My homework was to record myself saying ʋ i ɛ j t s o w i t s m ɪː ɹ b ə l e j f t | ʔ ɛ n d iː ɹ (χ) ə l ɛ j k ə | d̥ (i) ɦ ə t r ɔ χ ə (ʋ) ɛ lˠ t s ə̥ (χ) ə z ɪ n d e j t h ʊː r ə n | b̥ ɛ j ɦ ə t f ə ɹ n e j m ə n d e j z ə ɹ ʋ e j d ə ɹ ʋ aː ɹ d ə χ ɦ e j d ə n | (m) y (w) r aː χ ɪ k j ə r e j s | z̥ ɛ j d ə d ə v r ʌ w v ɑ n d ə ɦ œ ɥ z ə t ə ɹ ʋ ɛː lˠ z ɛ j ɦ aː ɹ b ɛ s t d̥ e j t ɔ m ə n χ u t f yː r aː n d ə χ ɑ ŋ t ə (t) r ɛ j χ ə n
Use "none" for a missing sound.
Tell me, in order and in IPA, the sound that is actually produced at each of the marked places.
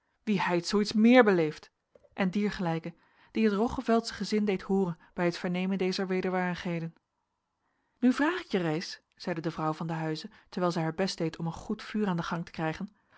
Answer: χ, i, v, χ, n, v, k

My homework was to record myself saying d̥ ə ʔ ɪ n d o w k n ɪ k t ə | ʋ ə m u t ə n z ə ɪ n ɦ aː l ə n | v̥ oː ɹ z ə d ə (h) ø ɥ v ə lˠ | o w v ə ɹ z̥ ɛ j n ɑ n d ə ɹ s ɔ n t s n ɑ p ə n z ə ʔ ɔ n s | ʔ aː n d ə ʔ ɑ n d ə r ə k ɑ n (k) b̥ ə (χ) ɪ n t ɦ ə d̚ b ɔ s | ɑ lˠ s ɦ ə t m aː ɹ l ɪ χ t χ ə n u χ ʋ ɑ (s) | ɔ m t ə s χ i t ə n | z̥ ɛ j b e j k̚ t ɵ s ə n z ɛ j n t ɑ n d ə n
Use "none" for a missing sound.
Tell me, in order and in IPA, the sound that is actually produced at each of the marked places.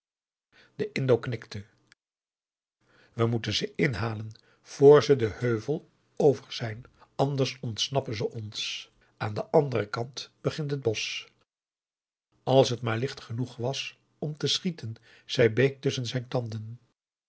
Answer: h, t, χ, s

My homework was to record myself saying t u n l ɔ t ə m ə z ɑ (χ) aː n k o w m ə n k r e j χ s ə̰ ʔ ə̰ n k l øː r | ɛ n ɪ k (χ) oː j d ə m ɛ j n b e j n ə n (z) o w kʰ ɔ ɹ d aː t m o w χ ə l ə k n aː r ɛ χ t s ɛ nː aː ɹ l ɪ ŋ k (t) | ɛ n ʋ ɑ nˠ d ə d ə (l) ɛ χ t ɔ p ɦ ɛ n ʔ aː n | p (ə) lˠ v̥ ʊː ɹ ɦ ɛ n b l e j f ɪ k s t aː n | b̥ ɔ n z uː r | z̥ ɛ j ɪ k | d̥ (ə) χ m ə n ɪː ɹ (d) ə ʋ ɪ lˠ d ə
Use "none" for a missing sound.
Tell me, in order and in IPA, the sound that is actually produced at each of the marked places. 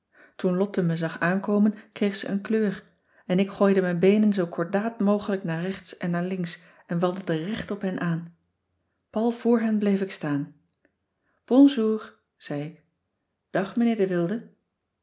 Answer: χ, χ, z, s, r, ɑ, ɑ, d

